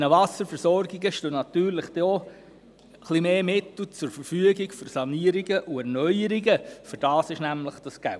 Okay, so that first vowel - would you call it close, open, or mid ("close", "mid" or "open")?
mid